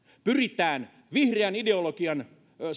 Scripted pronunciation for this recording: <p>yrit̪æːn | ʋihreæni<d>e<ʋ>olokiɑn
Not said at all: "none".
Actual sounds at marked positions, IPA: p, d, none

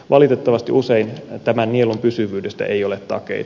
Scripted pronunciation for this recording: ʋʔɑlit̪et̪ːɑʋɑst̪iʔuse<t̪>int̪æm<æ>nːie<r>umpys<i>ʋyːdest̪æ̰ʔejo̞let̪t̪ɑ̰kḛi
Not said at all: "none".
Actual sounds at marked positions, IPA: none, æ, l, y

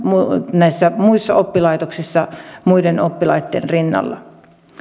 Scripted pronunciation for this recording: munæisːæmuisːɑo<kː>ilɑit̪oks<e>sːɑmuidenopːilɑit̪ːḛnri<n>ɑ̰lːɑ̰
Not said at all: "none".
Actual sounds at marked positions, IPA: pː, i, nː

